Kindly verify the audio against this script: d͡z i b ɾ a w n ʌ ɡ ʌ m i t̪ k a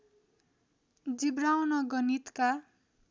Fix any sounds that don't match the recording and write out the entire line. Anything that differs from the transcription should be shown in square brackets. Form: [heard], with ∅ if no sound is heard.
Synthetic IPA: d͡z i b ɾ a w n ʌ ɡ ʌ [n] i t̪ k a